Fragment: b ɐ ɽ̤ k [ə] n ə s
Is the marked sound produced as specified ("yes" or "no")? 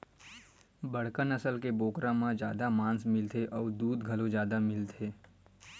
yes